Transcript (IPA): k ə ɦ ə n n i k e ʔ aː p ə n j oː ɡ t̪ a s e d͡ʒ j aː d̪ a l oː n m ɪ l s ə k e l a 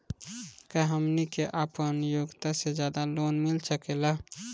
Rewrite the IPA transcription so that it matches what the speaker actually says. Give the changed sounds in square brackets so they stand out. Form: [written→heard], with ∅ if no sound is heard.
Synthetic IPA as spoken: k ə ɦ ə [n→m] n i k e ʔ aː p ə n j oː ɡ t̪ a s e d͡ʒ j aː d̪ a l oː n m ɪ l s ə k e l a